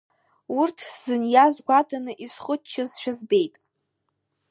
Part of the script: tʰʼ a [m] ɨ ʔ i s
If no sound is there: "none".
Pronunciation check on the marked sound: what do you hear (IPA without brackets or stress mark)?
n